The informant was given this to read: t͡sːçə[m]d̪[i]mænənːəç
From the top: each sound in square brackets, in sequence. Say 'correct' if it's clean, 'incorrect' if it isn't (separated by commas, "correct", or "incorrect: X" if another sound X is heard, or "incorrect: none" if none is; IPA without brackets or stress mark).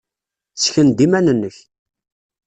incorrect: n, correct